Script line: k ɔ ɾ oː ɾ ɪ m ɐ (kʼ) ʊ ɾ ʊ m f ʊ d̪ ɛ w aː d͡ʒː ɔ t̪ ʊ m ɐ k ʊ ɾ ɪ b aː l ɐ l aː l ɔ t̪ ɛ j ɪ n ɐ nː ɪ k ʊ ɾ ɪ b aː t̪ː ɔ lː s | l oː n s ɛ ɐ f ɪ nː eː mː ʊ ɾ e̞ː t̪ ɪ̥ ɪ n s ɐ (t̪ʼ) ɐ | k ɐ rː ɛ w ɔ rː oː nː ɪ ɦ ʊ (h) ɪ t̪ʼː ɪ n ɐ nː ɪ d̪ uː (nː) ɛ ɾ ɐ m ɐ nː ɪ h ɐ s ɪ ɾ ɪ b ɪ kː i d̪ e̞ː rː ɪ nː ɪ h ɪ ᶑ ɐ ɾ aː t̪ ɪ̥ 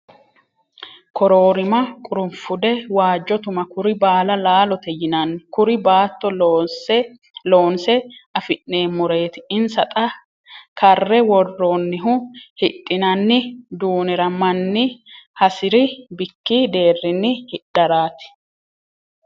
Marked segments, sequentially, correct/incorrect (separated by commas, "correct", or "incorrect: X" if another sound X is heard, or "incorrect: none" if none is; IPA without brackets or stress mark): correct, correct, correct, incorrect: n